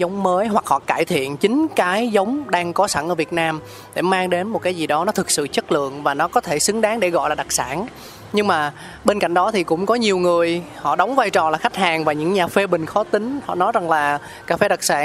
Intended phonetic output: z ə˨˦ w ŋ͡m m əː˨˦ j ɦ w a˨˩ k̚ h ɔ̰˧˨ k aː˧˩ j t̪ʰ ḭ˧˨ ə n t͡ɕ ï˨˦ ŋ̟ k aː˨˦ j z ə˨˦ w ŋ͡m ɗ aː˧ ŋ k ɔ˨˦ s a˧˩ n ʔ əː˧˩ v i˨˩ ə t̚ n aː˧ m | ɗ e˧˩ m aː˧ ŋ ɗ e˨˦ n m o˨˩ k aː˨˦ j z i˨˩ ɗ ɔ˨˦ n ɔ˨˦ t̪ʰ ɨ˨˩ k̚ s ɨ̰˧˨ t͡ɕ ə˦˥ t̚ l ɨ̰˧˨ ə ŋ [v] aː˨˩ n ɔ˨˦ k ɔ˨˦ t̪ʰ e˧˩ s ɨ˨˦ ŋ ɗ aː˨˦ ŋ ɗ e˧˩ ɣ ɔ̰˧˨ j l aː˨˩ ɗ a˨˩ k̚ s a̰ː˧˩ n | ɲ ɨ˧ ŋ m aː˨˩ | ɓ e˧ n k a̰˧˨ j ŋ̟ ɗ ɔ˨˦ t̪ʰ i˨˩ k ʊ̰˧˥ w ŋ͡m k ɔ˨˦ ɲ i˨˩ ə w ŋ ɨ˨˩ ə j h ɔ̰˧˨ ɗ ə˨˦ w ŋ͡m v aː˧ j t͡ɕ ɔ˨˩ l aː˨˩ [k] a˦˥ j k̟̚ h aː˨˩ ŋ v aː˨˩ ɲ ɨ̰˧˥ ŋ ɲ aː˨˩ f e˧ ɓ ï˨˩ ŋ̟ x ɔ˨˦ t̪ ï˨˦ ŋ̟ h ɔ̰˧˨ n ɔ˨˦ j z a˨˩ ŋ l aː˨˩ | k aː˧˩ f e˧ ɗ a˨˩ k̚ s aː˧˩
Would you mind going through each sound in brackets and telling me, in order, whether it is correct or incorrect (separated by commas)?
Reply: correct, incorrect